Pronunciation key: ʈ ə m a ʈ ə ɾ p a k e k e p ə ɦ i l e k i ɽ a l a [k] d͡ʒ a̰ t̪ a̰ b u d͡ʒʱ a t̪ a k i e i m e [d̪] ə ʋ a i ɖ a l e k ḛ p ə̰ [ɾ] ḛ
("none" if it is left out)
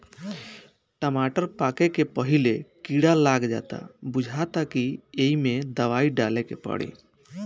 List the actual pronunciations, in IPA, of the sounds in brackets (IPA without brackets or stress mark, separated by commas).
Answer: ɡ, d̪, ɽ